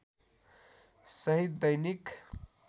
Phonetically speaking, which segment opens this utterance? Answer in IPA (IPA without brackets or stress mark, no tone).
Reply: s